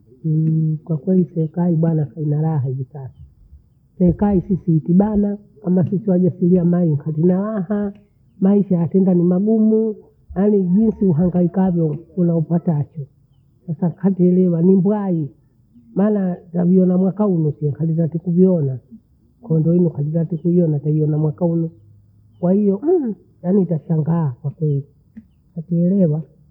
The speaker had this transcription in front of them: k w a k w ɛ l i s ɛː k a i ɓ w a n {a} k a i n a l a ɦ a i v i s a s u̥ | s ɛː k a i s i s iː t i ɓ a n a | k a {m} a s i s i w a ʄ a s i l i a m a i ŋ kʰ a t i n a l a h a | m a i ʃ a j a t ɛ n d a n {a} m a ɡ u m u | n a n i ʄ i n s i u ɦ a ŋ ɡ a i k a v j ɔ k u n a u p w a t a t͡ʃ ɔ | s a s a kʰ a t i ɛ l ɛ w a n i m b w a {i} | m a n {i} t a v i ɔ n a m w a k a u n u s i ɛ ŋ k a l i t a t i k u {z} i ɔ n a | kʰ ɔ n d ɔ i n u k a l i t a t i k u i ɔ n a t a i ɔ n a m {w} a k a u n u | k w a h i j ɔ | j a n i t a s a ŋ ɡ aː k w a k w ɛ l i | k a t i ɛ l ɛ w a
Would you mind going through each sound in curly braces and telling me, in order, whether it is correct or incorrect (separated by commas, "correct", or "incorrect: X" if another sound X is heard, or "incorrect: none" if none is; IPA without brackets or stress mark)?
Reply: correct, correct, incorrect: i, correct, incorrect: a, incorrect: v, correct